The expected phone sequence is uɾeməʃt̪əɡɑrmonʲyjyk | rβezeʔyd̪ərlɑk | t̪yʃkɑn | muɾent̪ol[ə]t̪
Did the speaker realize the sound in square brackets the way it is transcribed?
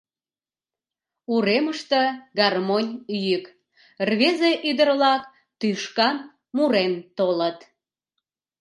yes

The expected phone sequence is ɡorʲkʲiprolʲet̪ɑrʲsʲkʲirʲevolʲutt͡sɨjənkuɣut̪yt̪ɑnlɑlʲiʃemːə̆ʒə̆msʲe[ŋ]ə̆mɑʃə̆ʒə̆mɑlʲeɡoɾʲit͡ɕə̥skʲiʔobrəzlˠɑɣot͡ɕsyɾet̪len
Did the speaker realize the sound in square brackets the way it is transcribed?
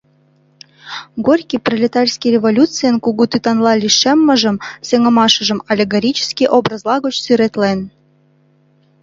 yes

